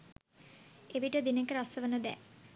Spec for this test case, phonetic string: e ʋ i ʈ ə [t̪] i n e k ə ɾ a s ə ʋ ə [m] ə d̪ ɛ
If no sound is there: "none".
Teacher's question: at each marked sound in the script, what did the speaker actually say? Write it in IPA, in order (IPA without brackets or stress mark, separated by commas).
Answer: d̪, n